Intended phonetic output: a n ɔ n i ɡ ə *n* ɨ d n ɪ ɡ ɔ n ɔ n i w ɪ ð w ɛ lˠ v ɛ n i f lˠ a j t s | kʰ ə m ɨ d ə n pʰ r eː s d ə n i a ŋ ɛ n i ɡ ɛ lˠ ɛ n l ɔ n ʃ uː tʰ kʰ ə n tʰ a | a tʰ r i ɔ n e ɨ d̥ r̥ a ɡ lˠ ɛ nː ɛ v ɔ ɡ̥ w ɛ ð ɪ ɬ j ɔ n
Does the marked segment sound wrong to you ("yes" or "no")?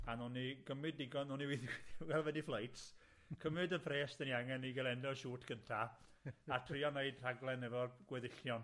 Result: yes